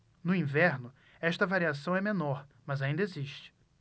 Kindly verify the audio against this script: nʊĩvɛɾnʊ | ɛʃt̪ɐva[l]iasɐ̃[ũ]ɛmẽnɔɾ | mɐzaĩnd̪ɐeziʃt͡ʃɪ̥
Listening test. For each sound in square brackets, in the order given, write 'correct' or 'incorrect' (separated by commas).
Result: incorrect, incorrect